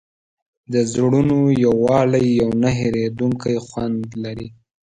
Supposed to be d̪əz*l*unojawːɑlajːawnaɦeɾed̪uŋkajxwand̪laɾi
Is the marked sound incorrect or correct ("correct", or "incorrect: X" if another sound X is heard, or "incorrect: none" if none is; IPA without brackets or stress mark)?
incorrect: ɽ